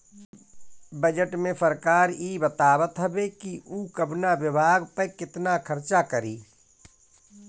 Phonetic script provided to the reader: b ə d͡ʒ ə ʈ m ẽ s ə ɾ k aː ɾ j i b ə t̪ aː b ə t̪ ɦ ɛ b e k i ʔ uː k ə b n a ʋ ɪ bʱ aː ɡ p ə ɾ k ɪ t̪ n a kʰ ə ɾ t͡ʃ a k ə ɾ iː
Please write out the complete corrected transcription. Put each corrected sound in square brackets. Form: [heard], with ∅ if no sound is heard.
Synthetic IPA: b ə d͡ʒ ə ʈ m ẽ s ə ɾ k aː ɾ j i b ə t̪ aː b ə t̪ ɦ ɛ b e k i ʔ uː k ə b n a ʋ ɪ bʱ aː ɡ p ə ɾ k ɪ t̪ n a kʰ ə ɾ t͡ʃ a k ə ɾ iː